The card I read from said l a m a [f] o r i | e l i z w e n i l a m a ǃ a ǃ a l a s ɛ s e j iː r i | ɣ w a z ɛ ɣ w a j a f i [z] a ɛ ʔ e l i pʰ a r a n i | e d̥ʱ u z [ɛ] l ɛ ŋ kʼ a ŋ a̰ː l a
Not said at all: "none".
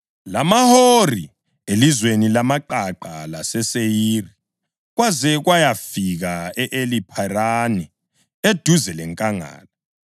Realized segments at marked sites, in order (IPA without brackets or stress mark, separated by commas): h, ɣ, ɛ